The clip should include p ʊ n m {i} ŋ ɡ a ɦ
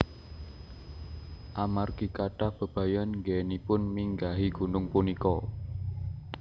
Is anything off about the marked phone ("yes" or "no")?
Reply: no